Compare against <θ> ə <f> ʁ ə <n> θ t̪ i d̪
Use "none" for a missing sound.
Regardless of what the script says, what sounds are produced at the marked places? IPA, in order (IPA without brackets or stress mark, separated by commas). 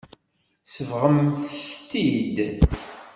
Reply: s, v, m